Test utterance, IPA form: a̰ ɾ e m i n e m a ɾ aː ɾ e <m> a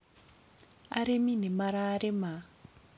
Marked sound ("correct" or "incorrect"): correct